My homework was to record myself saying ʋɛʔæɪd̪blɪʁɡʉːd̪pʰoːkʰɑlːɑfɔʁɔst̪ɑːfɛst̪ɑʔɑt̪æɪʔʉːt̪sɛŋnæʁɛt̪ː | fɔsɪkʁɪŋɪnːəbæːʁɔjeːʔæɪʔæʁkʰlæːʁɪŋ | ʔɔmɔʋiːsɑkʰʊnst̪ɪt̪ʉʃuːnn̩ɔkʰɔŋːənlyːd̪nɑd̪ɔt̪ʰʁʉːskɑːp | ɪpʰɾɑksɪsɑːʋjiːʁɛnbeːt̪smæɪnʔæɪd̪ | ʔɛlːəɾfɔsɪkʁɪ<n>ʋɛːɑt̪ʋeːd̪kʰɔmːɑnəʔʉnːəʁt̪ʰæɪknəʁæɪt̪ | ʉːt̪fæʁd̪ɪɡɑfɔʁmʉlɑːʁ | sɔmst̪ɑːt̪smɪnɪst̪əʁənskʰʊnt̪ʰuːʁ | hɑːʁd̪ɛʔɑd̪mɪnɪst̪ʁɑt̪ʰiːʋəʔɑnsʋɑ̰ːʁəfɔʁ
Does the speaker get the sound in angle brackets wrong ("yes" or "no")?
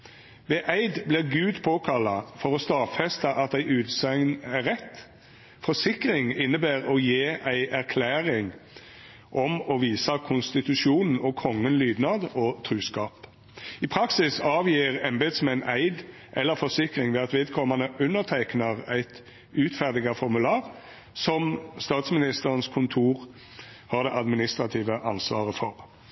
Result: yes